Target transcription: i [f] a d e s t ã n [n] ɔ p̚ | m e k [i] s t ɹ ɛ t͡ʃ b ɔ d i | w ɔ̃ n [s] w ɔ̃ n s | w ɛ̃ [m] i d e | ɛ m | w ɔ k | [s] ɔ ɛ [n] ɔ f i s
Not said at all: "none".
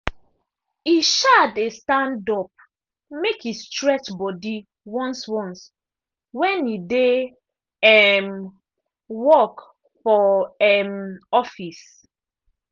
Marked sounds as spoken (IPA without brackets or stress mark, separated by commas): ʃ, d, i, s, n, f, m